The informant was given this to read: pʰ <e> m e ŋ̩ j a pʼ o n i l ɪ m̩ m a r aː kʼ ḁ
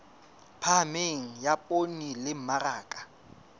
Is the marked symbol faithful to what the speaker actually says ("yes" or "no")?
no